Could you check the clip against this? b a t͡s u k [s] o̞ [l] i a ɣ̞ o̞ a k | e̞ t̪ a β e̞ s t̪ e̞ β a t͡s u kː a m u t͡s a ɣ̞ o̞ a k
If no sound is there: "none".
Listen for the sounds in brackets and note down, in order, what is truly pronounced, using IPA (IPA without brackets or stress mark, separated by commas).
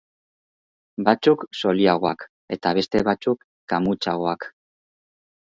s, l